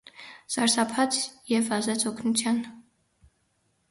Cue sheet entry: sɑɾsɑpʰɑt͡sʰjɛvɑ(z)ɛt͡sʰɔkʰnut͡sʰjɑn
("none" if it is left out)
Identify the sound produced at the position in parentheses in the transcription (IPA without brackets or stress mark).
z